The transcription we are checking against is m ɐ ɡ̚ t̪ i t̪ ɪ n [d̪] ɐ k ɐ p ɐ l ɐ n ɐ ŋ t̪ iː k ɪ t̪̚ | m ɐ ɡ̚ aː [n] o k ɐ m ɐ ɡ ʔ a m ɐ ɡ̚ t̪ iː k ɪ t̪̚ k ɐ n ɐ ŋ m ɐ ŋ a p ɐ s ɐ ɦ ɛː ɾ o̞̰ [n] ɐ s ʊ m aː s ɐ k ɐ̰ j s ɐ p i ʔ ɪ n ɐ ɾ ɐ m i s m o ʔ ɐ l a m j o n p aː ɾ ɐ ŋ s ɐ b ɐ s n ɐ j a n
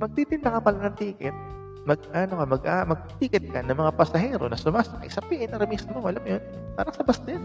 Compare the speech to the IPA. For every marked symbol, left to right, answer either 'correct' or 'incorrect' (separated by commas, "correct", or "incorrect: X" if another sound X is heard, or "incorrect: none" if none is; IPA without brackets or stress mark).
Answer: correct, correct, correct